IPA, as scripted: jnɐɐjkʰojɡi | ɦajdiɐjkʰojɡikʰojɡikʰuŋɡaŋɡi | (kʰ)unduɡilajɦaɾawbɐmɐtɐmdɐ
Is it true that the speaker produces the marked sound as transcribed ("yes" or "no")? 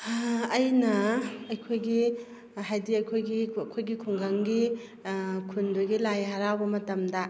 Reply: yes